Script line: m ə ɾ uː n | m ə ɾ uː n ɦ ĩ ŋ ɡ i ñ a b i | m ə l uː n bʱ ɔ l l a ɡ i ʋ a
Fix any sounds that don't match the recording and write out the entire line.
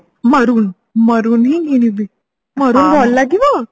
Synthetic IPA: m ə ɾ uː n | m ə ɾ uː n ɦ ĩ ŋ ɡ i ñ i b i | m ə ɾ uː n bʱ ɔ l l a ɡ i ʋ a